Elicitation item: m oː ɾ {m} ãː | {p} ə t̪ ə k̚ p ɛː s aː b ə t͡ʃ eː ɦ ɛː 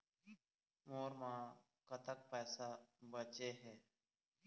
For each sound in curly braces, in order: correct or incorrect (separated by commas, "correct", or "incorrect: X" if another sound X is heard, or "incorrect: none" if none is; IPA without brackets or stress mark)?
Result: correct, incorrect: k